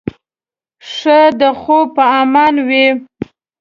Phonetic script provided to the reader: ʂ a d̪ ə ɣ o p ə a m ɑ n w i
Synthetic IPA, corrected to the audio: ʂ ə d̪ ə x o p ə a m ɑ n w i